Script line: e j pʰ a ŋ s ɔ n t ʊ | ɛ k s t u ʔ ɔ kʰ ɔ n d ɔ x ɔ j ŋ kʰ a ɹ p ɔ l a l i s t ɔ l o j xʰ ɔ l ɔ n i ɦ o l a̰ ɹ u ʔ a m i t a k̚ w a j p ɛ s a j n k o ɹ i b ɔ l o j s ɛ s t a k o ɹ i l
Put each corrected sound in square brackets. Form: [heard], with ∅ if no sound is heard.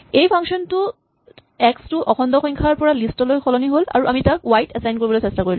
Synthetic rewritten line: e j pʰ a ŋ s ɔ n t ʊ | ɛ k s t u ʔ ɔ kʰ ɔ n d ɔ x ɔ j ŋ kʰ a ɹ p ɔ [ɹ] a l i s t ɔ l o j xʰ ɔ l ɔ n i ɦ o l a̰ ɹ u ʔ a m i t a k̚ w a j [t] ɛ s a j n k o ɹ i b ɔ l o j s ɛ s t a k o ɹ i l

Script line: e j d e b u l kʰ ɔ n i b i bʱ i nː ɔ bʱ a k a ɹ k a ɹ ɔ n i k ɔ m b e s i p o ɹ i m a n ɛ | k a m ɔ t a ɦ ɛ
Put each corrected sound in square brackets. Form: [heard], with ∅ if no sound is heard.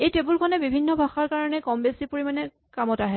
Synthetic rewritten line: e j [t] e b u l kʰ ɔ n [ɛ] b i bʱ i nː ɔ bʱ a [x] a ɹ k a ɹ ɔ n [ɛ] k ɔ m b e s i p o ɹ i m a n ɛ | k a m ɔ t a ɦ ɛ

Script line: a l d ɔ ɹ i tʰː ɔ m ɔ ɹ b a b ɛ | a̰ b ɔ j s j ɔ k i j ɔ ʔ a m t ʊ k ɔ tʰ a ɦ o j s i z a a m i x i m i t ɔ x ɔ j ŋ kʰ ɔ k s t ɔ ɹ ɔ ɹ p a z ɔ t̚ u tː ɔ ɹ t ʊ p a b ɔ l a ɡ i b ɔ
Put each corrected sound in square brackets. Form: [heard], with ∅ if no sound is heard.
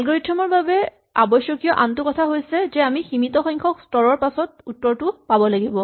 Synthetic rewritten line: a l [ɡ] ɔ ɹ i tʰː ɔ m ɔ ɹ b a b ɛ | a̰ b ɔ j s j ɔ k i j ɔ ʔ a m t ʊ k ɔ tʰ a ɦ o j s [ɛ] z [ɛ] a m i x i m i t ɔ x ɔ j ŋ kʰ ɔ k s t ɔ ɹ ɔ ɹ p a [s] ɔ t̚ u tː ɔ ɹ t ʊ p a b ɔ l a ɡ i b ɔ

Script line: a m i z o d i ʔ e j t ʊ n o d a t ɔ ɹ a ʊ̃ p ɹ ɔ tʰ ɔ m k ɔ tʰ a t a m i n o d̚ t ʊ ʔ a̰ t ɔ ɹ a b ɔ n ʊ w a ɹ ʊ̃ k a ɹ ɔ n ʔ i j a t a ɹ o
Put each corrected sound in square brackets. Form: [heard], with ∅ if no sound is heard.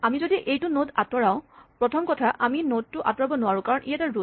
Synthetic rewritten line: a m i z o d i ʔ e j t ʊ n o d a t ɔ ɹ a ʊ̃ p ɹ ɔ tʰ ɔ m k ɔ tʰ a [ʔ] a m i n o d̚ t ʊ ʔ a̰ t ɔ ɹ a b ɔ n ʊ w a ɹ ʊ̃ k a ɹ ɔ n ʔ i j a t a ɹ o

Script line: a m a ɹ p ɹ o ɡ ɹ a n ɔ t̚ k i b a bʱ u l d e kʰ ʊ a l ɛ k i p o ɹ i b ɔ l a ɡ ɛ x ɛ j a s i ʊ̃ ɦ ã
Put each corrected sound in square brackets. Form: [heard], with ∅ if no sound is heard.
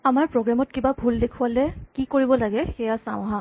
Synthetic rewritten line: a m a ɹ p ɹ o ɡ ɹ a [m] ɔ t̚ k i b a bʱ u l d e kʰ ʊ a l ɛ k i [k] o ɹ i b ɔ l a ɡ ɛ x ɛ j a s [a] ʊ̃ ɦ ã

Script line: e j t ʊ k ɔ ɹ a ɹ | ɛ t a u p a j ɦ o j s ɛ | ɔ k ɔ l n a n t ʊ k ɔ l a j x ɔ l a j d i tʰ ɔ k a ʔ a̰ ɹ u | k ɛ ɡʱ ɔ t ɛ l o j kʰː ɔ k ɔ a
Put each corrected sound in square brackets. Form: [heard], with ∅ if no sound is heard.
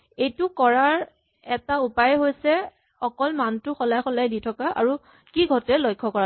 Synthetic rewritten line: e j t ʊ k ɔ ɹ a ɹ | ɛ t a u p a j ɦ o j s ɛ | ɔ k ɔ l [m] a n t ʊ [x] ɔ l a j x ɔ l a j d i tʰ ɔ k a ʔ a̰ ɹ u | k [i] ɡʱ ɔ t ɛ l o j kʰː ɔ k ɔ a

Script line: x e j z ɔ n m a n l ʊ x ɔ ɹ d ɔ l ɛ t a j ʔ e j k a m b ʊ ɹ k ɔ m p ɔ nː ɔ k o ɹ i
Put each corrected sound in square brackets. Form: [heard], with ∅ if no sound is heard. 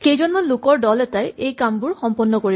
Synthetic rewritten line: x e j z ɔ n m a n l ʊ [k] ɔ ɹ d ɔ l ɛ t a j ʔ e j k a m b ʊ ɹ [x] ɔ m p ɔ nː ɔ k o ɹ i

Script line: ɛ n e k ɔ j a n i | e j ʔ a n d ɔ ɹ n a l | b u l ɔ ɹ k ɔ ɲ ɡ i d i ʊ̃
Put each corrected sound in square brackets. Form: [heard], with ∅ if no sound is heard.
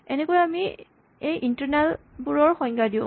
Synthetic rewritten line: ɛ n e k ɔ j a [m] i | e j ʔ [i] n [t] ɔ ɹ n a l | b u [ɹ] ɔ ɹ [x] ɔ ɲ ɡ [a] d i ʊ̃

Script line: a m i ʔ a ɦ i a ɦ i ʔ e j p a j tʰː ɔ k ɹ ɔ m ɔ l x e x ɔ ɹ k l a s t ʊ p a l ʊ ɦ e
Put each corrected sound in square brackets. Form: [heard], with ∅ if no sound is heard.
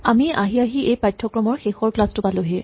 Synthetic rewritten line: a m i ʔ a ɦ i a ɦ i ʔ e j p a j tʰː ɔ k ɹ ɔ m ɔ [ɹ] x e x ɔ ɹ k l a s t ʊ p a l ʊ ɦ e

